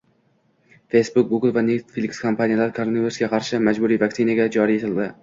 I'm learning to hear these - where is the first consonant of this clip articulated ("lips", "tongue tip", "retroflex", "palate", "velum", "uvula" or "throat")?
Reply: lips